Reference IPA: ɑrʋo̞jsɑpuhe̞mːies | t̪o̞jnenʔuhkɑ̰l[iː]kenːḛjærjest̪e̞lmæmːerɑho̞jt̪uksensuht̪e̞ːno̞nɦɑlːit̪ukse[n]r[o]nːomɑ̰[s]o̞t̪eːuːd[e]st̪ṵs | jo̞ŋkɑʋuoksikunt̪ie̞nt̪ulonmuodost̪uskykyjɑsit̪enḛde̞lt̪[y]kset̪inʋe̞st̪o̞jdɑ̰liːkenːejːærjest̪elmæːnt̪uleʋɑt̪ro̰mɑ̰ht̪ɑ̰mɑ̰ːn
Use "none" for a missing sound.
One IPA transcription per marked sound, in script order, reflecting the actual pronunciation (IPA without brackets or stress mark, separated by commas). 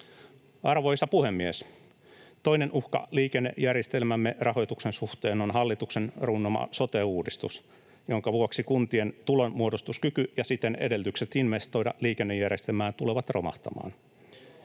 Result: iː, n, u, s, i, y